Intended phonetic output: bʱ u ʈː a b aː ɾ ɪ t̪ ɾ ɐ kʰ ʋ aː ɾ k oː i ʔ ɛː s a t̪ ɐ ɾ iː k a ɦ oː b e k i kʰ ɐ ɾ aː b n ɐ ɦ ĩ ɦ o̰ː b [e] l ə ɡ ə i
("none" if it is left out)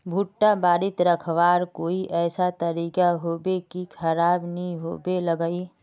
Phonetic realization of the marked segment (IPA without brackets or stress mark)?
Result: e